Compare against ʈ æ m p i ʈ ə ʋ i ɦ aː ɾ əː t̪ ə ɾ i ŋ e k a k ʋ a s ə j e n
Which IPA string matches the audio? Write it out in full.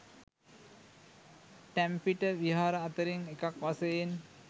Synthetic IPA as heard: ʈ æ m p i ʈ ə ʋ i ɦ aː ɾ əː t̪ ə ɾ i ŋ e k a k ʋ a s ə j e n